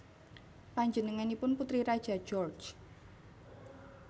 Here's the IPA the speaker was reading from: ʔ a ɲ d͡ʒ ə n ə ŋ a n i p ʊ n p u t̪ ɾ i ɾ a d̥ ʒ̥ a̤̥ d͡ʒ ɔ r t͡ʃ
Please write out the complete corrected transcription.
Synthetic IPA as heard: p a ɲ d͡ʒ ə n ə ŋ a n i p ʊ n p u t̪ ɾ i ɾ a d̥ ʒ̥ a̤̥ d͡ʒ ɔ r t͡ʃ